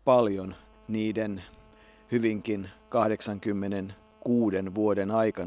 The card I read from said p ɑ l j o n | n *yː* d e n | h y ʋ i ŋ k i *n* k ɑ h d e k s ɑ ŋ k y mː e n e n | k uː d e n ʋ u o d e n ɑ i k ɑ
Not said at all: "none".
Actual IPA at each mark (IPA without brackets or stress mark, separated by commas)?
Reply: iː, n